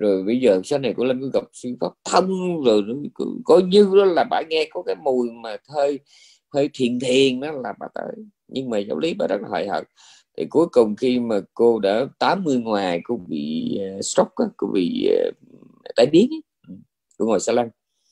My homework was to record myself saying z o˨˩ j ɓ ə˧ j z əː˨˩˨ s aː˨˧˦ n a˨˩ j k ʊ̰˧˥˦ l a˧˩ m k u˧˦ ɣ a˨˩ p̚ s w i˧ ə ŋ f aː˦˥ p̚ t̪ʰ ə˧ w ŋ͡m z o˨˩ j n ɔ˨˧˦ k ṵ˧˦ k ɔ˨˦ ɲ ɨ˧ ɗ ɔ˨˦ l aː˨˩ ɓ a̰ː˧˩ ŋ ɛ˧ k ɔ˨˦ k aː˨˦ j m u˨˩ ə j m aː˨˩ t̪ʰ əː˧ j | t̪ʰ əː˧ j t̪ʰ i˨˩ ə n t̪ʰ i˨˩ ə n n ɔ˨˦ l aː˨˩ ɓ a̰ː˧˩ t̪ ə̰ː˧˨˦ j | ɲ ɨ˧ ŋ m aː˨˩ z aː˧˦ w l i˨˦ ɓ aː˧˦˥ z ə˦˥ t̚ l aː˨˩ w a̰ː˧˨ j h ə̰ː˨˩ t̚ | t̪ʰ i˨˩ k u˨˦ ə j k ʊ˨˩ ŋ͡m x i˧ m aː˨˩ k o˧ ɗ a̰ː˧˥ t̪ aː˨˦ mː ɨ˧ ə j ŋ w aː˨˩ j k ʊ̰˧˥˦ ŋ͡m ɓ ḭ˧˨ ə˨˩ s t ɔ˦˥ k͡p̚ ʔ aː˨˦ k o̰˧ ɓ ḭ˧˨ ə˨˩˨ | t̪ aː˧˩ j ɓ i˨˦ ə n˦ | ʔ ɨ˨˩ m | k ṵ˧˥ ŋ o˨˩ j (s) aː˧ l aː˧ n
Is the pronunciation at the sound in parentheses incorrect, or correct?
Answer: correct